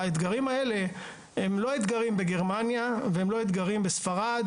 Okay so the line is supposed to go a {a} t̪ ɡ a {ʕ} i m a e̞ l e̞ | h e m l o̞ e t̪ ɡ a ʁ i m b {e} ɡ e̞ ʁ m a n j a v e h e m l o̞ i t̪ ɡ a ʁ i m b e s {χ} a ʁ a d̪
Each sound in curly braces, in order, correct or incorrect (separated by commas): incorrect, incorrect, correct, incorrect